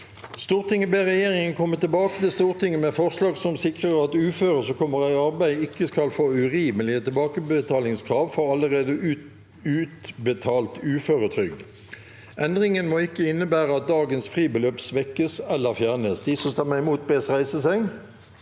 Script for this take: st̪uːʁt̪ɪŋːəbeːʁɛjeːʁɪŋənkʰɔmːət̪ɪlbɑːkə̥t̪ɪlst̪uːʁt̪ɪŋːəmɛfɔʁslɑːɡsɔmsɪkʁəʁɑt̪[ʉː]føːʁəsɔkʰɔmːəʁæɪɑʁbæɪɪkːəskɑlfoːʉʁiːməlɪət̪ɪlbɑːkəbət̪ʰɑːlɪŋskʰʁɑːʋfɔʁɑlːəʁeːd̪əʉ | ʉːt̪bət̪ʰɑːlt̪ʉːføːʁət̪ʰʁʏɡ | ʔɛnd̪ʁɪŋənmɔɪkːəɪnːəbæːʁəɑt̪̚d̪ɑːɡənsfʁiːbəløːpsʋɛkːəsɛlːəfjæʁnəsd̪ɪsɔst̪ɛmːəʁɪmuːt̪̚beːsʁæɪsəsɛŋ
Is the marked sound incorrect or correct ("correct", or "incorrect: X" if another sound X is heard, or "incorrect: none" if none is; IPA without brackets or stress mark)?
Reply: correct